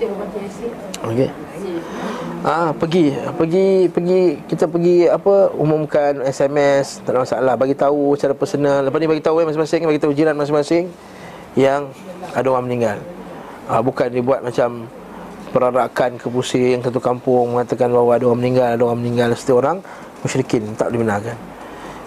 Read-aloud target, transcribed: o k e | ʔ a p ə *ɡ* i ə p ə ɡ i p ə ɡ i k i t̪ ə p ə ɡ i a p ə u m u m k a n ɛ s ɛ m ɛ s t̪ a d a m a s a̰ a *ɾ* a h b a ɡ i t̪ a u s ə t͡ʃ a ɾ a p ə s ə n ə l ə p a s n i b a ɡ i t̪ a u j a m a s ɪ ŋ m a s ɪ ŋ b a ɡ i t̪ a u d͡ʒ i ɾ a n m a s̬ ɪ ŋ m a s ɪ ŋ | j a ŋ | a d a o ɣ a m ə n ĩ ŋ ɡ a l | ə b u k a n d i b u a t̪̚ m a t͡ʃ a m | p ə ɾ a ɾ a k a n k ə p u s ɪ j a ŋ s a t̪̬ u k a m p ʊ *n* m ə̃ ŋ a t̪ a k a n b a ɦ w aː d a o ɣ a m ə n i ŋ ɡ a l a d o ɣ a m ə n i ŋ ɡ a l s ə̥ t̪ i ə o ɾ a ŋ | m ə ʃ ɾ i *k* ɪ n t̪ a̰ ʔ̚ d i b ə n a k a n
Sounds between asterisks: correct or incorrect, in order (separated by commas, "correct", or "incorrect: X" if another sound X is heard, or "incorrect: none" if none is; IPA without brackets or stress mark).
correct, incorrect: l, incorrect: ŋ, correct